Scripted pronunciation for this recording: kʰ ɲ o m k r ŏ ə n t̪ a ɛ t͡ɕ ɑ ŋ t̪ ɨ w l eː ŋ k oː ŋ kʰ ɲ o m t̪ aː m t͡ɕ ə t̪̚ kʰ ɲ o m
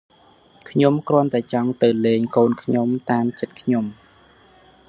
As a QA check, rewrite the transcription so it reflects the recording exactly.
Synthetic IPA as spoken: kʰ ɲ o m k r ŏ ə n t̪ a ɛ t͡ɕ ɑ ŋ t̪ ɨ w l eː ŋ k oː n kʰ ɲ o m t̪ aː m t͡ɕ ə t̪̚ kʰ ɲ o m